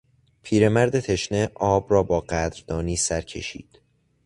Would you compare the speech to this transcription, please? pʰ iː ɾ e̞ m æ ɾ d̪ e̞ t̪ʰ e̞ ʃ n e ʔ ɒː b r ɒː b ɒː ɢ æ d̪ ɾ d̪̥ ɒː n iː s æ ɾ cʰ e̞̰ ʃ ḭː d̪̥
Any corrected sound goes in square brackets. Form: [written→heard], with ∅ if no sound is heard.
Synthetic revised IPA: pʰ iː ɾ e̞ m æ ɾ d̪ e̞ t̪ʰ e̞ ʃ n e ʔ ɒː b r ɒː b ɒː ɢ æ d̪ ɾ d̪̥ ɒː n iː s æ ɾ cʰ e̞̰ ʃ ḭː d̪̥